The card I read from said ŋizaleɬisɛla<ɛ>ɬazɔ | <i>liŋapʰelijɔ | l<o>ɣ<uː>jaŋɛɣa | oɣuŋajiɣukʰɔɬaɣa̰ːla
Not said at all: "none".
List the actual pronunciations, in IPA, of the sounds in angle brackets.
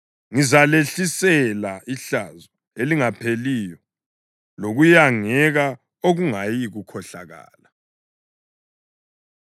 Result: i, e, o, u

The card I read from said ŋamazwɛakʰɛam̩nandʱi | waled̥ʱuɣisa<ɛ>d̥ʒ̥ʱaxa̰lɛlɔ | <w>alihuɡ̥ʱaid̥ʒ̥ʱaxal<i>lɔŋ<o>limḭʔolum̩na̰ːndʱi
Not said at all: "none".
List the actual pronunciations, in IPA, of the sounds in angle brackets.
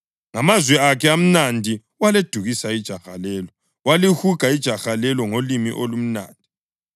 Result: i, w, ɛ, o

